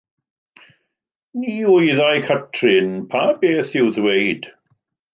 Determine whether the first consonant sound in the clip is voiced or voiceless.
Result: voiced